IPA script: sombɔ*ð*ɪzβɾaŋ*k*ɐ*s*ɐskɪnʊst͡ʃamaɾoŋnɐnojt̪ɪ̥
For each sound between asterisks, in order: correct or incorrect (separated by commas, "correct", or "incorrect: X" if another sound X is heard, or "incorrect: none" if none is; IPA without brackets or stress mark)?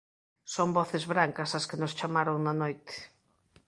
incorrect: θ, correct, correct